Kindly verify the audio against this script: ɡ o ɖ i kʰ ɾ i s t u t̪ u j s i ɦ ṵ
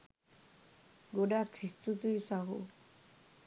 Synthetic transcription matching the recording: ɡ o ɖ a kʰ ɾ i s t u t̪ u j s a ɦ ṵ

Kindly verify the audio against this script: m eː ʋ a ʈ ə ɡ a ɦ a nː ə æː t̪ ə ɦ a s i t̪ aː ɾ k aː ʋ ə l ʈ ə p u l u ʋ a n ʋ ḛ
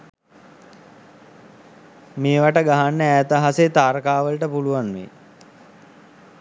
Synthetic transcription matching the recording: m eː ʋ a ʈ ə ɡ a ɦ a nː ə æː t̪ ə ɦ a s e t̪ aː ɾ k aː ʋ ə l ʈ ə p u l u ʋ a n ʋ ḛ

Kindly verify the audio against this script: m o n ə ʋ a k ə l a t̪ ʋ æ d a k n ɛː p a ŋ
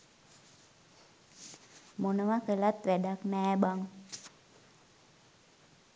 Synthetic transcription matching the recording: m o n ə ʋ a k ə l a t̪ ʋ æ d a k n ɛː b a ŋ

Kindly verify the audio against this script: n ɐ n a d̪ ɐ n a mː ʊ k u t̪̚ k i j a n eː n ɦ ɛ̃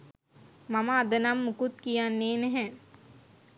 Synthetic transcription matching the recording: m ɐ m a d̪ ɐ n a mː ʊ k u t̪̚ k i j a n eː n ɦ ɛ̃

